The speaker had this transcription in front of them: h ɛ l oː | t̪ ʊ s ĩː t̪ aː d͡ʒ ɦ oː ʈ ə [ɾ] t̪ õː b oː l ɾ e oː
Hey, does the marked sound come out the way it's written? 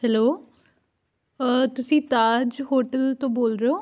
no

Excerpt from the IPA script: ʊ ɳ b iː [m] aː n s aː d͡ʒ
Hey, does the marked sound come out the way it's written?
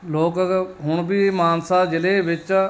yes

